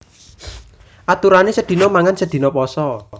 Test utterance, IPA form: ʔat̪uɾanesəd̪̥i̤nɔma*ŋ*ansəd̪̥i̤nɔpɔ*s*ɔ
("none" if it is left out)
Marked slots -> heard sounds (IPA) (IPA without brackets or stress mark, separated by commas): ŋ, s